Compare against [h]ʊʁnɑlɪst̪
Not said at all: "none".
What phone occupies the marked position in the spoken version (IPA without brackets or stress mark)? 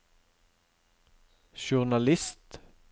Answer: ʃ